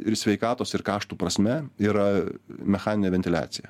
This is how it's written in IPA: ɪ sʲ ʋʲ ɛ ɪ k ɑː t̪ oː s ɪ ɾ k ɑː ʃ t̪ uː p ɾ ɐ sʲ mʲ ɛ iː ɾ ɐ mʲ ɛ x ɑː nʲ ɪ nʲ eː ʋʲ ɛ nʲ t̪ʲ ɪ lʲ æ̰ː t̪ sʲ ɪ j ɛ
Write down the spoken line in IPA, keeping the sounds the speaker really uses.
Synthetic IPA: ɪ sʲ ʋʲ ɛ ɪ k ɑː t̪ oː s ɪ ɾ k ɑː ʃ t̪ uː p ɾ ɐ sʲ mʲ ɛ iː ɾ ɐ mʲ ɛ x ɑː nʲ ɪ nʲ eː ʋʲ ɛ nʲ t̪ʲ ɪ lʲ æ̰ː t̪ sʲ ɪ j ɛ

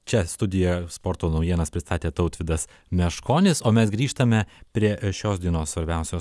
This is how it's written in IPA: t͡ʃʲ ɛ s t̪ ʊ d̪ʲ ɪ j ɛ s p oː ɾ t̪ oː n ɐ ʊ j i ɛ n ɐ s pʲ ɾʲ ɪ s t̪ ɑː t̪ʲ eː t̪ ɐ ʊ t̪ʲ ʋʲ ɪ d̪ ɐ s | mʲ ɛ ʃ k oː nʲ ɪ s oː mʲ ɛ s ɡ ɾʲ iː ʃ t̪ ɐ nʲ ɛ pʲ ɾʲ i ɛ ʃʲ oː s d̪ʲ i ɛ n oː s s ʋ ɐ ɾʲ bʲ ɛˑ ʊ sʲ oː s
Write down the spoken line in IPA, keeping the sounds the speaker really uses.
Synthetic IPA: t͡ʃʲ ɛ s t̪ ʊ d̪ʲ ɪ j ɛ s p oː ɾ t̪ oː n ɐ ʊ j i ɛ n ɐ s pʲ ɾʲ ɪ s t̪ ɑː t̪ʲ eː t̪ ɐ ʊ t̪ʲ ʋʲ ɪ d̪ ɐ s | mʲ ɛ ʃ k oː nʲ ɪ s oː mʲ ɛ s ɡ ɾʲ iː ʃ t̪ ɐ mʲ ɛ pʲ ɾʲ i ɛ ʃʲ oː s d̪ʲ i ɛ n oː s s ʋ ɐ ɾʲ bʲ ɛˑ ʊ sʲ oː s

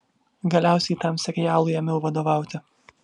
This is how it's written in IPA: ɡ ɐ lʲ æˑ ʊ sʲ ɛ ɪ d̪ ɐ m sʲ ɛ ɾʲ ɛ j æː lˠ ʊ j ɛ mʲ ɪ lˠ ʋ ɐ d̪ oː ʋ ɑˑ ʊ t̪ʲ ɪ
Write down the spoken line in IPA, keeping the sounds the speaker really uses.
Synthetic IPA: ɡ ɐ lʲ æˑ ʊ sʲ ɛ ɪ t̪ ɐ m sʲ ɛ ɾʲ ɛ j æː lˠ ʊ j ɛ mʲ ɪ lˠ ʋ ɐ d̪ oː ʋ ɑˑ ʊ t̪ʲ ɪ

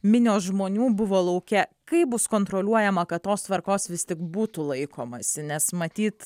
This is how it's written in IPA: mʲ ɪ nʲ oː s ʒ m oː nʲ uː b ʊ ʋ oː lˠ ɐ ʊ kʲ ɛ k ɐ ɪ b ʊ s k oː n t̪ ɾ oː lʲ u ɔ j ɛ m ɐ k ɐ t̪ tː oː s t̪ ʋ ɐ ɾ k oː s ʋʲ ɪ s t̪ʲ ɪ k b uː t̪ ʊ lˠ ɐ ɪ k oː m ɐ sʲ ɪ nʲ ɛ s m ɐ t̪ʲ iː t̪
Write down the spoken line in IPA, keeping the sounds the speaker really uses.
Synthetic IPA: mʲ ɪ nʲ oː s ʒ m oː nʲ uː b ʊ ʋ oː lˠ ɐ ʊ kʲ ɛ k ɐ ɪ b ʊ s k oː n t̪ ɾ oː lʲ u ɔ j ɛ m ɐ k ɐ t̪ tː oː s t̪ ʋ ɐ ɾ k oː s ʋʲ ɪ s t̪ʲ ɪ k b uː t̪ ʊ lˠ ɐ ɪ k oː m ɐ sʲ ɪ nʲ ɛ s m ɐ t̪ʲ iː t̪

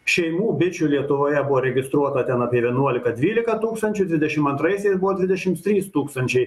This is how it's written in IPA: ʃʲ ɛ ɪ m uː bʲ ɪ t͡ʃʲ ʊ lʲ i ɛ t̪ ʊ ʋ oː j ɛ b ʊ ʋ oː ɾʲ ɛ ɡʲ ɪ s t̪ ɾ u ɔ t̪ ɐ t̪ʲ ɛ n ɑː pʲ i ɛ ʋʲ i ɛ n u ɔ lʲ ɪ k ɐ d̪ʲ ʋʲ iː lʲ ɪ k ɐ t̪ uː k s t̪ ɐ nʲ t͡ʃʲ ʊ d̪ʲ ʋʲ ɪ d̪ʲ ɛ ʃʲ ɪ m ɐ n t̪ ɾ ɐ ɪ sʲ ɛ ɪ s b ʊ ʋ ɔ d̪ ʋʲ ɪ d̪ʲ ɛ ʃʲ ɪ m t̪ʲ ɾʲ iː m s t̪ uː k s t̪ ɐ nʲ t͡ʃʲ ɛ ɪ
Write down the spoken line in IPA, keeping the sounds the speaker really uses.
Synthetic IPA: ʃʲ ɛ ɪ m uː bʲ ɪ t͡ʃʲ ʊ lʲ i ɛ t̪ ʊ ʋ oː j ɛ b ʊ ʋ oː ɾʲ ɛ ɡʲ ɪ s t̪ ɾ u ɔ t̪ ɐ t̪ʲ ɛ n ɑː pʲ i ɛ ʋʲ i ɛ n u ɔ lʲ ɪ k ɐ d̪ʲ ʋʲ iː lʲ ɪ k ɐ t̪ uː k s t̪ ɐ nʲ t͡ʃʲ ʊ d̪ʲ ʋʲ ɪ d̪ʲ ɛ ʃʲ ɪ m ɐ n t̪ ɾ ɐ ɪ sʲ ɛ ɪ s b ʊ ʋ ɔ d̪ ʋʲ ɪ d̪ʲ ɛ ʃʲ ɪ m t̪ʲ ɾʲ iː s t̪ uː k s t̪ ɐ nʲ t͡ʃʲ ɛ ɪ

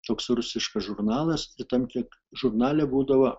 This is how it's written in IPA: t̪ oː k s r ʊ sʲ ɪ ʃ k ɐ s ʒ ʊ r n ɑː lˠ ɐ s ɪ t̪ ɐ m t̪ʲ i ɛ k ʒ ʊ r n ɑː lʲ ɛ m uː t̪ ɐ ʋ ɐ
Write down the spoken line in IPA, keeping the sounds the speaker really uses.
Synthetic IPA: t̪ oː k s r ʊ sʲ ɪ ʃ k ɐ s ʒ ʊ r n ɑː lˠ ɐ s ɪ t̪ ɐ m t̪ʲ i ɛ k ʒ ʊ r n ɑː lʲ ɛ b uː d̪ ɐ ʋ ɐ

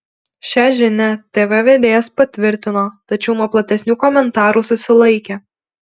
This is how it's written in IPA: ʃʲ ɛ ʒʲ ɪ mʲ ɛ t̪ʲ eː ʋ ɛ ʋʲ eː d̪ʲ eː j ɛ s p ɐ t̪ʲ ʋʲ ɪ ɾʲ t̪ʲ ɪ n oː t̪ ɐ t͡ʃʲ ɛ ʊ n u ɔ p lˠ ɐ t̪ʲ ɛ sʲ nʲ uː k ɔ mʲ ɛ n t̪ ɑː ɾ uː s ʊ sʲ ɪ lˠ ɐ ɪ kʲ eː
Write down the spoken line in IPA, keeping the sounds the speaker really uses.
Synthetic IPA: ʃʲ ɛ ʒʲ ɪ nʲ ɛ t̪ʲ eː ʋ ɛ ʋʲ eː d̪ʲ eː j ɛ s p ɐ t̪ʲ ʋʲ ɪ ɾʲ t̪ʲ ɪ n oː t̪ ɐ t͡ʃʲ ɛ ʊ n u ɔ p lˠ ɐ t̪ʲ ɛ sʲ nʲ uː k ɔ mʲ ɛ n t̪ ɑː ɾ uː s ʊ sʲ ɪ lˠ ɐ ɪ kʲ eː

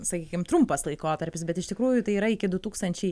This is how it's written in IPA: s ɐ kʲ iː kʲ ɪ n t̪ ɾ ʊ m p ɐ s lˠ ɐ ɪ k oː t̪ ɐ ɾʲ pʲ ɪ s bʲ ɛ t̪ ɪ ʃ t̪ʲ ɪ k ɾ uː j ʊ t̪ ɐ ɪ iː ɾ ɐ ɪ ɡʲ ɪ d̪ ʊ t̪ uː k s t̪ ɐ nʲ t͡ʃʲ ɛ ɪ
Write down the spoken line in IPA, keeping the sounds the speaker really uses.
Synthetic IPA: s ɐ kʲ iː kʲ ɪ m t̪ ɾ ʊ m p ɐ s lˠ ɐ ɪ k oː t̪ ɐ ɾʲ pʲ ɪ s bʲ ɛ t̪ ɪ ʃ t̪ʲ ɪ k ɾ uː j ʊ t̪ ɐ ɪ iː ɾ ɐ ɪ kʲ ɪ d̪ ʊ t̪ uː k s t̪ ɐ nʲ t͡ʃʲ ɛ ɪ

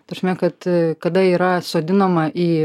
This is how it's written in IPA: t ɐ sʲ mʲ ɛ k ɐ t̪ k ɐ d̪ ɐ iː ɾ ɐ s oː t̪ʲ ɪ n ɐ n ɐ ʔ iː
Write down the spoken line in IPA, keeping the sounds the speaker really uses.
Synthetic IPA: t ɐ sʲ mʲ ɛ k ɐ t̪ k ɐ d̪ ɐ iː ɾ ɐ s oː d̪ʲ ɪ n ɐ m ɐ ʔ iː

